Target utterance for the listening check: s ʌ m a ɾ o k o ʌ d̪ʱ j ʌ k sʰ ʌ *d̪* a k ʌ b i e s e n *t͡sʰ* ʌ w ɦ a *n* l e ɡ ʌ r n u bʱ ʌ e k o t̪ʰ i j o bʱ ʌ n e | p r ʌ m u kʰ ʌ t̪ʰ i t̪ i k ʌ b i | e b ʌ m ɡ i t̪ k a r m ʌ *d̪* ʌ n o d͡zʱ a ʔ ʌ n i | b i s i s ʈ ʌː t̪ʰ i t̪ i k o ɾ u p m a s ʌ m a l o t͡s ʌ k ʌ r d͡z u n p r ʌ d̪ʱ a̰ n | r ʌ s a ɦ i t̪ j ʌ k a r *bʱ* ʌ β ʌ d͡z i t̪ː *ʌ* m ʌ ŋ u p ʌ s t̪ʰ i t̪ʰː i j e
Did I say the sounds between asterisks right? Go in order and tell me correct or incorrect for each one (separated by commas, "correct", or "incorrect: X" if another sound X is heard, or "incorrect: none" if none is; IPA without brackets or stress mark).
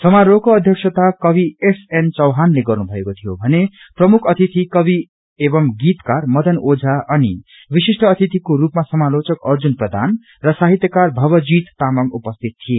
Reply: incorrect: t̪, incorrect: t͡s, correct, correct, correct, incorrect: a